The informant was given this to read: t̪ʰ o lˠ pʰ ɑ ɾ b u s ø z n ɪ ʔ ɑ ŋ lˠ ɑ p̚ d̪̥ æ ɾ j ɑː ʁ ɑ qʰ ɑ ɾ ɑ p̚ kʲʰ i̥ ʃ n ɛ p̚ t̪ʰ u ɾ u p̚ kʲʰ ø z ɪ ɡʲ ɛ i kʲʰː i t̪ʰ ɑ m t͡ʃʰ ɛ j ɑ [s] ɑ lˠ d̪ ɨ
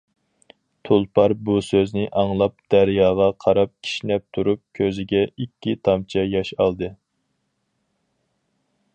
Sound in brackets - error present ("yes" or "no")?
yes